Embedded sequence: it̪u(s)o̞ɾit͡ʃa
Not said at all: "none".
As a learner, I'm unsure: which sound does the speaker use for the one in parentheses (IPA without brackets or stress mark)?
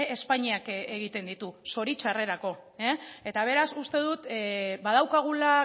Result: s